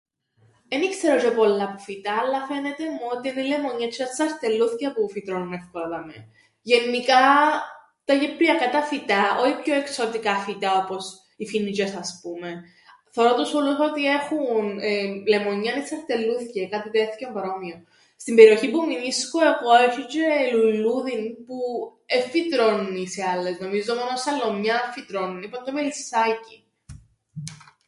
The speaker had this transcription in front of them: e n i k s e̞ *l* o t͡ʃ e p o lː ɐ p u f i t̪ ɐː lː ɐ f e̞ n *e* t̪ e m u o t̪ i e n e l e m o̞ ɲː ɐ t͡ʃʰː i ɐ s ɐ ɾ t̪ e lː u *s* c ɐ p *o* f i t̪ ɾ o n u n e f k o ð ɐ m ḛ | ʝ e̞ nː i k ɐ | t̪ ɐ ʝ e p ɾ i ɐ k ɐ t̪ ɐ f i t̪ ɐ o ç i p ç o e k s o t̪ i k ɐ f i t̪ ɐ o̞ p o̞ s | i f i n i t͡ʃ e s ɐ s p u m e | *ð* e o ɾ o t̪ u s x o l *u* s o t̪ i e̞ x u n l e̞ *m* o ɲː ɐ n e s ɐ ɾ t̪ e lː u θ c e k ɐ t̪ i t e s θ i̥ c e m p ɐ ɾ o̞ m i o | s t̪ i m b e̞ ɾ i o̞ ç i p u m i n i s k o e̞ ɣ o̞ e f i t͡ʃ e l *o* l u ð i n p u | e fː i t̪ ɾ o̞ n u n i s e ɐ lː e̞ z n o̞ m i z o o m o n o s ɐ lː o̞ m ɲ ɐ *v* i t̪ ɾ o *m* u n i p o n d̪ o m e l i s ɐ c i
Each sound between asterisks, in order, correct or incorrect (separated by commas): incorrect, correct, incorrect, incorrect, incorrect, correct, correct, incorrect, incorrect, incorrect